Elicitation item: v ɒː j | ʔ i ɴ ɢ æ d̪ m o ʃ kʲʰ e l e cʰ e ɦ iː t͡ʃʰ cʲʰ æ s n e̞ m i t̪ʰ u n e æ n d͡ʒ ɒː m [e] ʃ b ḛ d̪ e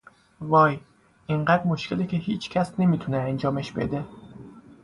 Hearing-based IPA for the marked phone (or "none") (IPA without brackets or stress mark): e